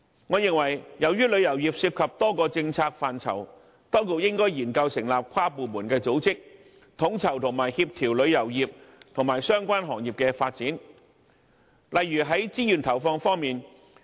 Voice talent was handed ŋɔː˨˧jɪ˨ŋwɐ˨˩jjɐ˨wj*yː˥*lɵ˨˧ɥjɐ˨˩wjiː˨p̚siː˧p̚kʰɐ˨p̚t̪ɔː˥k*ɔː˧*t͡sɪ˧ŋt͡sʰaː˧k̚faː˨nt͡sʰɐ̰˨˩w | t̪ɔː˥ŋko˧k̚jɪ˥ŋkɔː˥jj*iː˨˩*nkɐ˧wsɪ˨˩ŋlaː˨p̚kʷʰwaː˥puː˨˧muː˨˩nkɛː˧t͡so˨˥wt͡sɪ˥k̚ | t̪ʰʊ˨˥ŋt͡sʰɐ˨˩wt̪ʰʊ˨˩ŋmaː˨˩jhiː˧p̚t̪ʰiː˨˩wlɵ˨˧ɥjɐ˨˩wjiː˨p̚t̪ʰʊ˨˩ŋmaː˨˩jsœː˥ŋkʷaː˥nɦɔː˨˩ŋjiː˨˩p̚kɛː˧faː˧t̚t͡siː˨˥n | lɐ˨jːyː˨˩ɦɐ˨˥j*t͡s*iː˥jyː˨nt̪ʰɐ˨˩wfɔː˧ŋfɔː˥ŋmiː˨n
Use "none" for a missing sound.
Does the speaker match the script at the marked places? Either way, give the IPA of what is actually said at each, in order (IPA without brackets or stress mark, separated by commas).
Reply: yː˥, ɔː˧, iː˨˩, t͡s